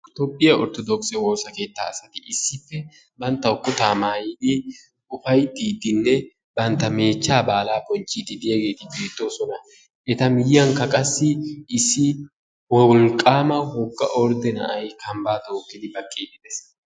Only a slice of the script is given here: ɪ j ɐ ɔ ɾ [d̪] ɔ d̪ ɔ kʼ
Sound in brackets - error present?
yes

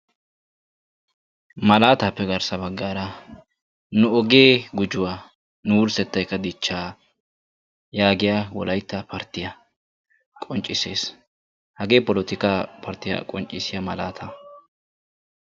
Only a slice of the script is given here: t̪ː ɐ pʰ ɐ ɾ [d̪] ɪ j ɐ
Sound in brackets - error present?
yes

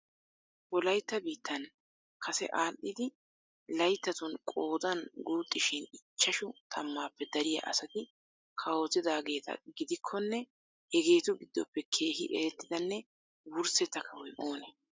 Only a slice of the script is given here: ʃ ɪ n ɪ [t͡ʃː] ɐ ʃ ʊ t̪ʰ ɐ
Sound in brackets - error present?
no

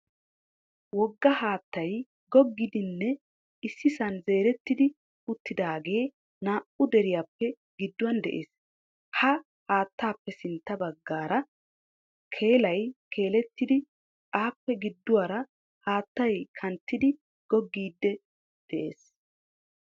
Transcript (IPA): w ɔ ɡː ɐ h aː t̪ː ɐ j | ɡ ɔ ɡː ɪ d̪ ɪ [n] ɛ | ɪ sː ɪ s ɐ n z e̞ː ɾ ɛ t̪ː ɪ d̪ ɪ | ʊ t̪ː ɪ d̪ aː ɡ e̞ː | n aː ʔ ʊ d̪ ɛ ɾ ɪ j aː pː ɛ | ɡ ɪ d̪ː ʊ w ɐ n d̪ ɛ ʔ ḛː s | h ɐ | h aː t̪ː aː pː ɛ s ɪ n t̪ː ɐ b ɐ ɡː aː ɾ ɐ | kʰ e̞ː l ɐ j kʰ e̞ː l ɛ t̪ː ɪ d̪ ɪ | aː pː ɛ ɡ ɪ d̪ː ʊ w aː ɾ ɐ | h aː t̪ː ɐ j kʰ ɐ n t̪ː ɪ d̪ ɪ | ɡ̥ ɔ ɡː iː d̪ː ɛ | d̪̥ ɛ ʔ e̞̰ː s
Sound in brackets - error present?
yes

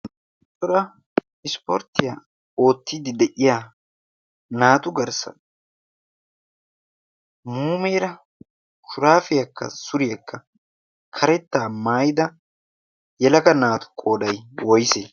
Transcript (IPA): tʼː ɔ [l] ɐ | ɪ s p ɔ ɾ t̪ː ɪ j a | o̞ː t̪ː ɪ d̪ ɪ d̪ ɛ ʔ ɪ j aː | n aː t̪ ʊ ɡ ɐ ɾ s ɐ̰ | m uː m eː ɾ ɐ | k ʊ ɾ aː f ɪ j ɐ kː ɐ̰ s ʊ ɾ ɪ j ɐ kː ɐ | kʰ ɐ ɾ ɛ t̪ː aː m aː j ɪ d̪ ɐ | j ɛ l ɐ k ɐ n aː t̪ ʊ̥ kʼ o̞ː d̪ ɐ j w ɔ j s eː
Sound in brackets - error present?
yes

